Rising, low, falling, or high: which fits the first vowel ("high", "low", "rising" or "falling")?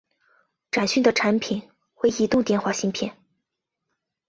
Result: low